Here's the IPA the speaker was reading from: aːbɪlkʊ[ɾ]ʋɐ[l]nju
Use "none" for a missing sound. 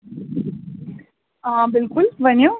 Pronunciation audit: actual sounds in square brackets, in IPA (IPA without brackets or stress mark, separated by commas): l, none